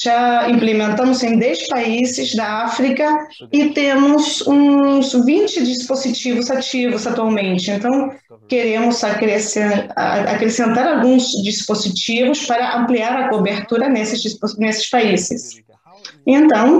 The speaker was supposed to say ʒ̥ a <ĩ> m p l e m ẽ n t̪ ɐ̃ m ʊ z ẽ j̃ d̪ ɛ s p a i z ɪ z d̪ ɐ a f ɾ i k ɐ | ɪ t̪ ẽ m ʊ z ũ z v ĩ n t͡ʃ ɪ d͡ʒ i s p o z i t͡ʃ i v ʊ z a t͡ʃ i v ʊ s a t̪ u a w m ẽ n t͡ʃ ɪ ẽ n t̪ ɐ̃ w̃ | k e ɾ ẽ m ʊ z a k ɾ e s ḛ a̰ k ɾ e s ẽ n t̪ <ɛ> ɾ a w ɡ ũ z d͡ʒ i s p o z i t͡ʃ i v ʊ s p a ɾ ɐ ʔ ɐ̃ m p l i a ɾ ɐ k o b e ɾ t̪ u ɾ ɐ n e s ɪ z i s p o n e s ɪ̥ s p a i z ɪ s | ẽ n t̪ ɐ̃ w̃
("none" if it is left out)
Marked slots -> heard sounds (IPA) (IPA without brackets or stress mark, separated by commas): ĩ, a